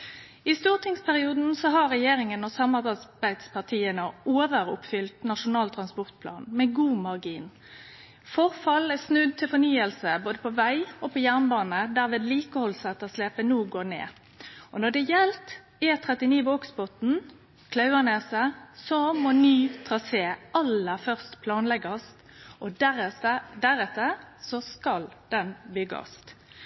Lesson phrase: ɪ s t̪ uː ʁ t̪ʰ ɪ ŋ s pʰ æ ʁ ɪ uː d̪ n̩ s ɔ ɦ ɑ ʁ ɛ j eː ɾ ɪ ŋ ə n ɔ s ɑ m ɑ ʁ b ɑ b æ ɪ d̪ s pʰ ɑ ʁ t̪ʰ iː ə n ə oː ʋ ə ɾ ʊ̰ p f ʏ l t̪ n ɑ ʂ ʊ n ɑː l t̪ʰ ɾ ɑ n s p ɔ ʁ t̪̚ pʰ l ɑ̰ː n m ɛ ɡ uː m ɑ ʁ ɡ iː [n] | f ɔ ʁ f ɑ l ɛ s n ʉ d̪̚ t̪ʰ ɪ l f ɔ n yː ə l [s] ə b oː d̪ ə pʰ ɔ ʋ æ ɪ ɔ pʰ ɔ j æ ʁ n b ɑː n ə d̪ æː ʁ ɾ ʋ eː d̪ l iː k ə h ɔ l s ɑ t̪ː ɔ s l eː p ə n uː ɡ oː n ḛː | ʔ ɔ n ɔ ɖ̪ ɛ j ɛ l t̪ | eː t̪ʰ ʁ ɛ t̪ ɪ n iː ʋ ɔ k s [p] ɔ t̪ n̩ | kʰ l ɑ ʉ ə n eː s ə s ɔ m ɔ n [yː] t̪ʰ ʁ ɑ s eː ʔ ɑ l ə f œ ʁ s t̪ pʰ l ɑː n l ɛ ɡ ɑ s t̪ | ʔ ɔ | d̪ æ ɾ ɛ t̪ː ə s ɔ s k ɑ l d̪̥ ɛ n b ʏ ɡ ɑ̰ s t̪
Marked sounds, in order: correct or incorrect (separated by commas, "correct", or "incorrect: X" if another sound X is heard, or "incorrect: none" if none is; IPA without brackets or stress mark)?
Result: correct, correct, incorrect: b, correct